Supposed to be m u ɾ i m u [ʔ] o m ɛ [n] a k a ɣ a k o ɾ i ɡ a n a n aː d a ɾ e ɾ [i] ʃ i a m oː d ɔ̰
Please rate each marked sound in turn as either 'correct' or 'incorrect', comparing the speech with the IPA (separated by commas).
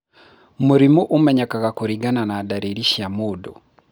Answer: correct, incorrect, correct